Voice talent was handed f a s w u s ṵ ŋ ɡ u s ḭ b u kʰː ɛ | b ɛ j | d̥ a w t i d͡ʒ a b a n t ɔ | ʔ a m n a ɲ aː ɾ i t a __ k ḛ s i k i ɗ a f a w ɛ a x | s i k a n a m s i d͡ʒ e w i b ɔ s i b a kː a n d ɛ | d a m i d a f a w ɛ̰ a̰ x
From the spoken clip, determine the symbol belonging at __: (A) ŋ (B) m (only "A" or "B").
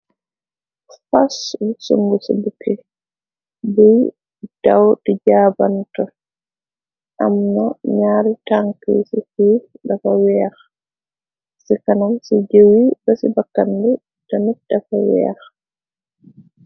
A